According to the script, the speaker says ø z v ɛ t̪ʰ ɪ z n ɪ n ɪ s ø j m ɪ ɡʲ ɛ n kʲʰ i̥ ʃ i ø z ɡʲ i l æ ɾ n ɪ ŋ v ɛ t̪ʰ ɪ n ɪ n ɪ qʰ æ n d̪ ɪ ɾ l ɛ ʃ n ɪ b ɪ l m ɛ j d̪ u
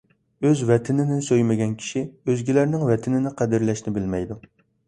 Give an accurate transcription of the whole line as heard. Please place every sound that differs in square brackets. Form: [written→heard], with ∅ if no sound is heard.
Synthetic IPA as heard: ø z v ɛ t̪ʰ ɪ [z→∅] n ɪ n ɪ s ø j m ɪ ɡʲ ɛ n kʲʰ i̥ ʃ i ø z ɡʲ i l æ ɾ n ɪ ŋ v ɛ t̪ʰ ɪ n ɪ n ɪ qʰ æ [n→∅] d̪ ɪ ɾ l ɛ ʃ n ɪ b ɪ l m ɛ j d̪ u

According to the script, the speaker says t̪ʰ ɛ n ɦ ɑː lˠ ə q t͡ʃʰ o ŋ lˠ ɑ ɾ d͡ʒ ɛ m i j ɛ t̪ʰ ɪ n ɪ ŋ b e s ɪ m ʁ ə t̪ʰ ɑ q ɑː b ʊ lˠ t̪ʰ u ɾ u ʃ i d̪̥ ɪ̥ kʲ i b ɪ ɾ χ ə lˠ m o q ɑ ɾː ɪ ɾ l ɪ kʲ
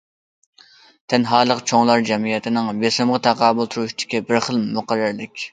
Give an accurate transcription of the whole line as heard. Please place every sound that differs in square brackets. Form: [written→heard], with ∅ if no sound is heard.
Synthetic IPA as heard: t̪ʰ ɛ n ɦ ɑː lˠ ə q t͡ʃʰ o ŋ lˠ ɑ ɾ d͡ʒ ɛ m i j ɛ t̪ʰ ɪ n ɪ ŋ b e s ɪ m ʁ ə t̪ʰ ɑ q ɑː b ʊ lˠ t̪ʰ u ɾ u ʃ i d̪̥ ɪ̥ kʲ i b ɪ ɾ χ ə lˠ m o q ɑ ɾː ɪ ɾ l ɪ kʲ

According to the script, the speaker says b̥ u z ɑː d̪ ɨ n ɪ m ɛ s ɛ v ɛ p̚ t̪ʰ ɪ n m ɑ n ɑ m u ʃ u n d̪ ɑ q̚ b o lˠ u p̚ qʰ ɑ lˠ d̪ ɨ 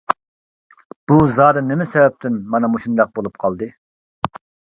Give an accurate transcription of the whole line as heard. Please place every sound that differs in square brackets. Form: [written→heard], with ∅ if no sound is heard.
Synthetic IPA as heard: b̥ u z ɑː d̪ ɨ n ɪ m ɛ s ɛ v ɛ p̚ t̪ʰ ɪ n m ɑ n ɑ m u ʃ u n d̪ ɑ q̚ b o lˠ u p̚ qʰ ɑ lˠ d̪ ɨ

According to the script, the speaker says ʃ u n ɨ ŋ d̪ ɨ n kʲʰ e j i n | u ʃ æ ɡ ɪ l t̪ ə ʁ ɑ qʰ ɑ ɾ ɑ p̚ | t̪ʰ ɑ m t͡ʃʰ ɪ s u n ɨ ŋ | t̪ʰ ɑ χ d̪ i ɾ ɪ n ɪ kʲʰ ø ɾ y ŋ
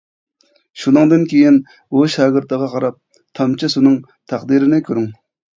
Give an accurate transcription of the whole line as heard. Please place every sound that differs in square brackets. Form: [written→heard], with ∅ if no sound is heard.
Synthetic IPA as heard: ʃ u n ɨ ŋ d̪ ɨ n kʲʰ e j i n | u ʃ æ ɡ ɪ [l→ɾ] t̪ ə ʁ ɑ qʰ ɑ ɾ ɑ p̚ | t̪ʰ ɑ m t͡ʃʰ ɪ s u n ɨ ŋ | t̪ʰ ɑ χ d̪ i ɾ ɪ n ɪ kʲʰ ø ɾ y ŋ

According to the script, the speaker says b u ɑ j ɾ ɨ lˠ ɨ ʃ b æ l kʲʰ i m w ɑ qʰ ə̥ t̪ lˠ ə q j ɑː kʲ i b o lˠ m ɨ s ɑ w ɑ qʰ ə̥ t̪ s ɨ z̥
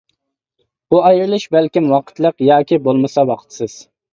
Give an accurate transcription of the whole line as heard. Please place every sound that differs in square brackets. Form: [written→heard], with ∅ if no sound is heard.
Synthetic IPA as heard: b u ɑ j ɾ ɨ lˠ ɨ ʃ b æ l [kʲʰ→kʲ] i m w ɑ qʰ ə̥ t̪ lˠ ə q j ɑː kʲ i b o lˠ m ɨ s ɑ w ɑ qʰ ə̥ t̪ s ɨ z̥

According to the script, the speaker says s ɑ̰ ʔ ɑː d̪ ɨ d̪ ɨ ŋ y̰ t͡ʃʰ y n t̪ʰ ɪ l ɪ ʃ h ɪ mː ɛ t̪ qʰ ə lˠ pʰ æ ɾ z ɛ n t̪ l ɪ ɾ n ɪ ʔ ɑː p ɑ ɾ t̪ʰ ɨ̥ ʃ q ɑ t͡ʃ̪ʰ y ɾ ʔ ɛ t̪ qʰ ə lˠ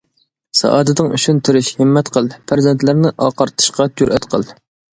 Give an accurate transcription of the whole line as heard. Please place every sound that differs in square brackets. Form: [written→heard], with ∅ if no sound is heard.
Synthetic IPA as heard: s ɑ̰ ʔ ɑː d̪ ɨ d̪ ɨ ŋ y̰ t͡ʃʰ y n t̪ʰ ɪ [l→ɾ] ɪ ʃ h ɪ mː ɛ t̪ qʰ ə lˠ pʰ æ ɾ z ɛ n t̪ l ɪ ɾ n ɪ ʔ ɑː [p→q] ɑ ɾ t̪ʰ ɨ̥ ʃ q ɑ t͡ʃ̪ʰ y ɾ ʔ ɛ t̪ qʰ ə lˠ

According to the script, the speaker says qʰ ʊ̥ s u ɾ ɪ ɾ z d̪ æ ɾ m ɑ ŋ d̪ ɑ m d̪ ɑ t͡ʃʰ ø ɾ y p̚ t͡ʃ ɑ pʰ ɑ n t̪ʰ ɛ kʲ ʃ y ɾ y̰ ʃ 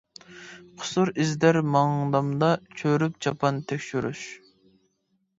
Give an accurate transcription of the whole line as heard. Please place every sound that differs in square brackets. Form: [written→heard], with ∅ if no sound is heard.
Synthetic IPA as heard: qʰ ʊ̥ s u ɾ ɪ [ɾ→∅] z d̪ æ ɾ m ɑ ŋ d̪ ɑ m d̪ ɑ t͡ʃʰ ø ɾ y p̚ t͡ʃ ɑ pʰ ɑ n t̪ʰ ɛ kʲ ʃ y ɾ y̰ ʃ

